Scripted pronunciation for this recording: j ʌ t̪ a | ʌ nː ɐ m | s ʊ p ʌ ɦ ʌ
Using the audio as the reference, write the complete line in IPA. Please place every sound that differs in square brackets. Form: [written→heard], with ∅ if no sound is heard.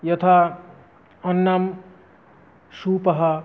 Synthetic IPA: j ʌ [t̪→t̪ʰ] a | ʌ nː [ɐ→a] m | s [ʊ→u] p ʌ ɦ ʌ